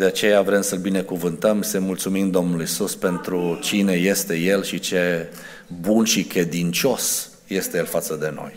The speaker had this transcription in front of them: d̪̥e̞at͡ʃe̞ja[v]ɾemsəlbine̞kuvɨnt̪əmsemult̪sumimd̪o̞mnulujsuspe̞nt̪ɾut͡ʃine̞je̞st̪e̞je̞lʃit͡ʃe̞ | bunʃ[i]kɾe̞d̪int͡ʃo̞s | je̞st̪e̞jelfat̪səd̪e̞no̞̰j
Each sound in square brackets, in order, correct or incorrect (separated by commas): correct, correct